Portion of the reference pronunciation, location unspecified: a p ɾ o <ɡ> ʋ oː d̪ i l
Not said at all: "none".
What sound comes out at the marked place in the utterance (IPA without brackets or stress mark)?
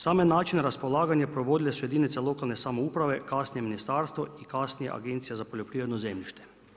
none